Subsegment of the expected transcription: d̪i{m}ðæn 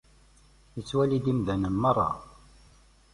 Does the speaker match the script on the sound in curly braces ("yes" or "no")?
yes